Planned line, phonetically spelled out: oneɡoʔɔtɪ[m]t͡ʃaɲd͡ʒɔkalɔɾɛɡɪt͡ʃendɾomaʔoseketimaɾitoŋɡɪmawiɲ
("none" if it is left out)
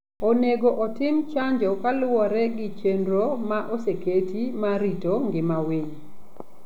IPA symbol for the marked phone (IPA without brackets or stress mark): m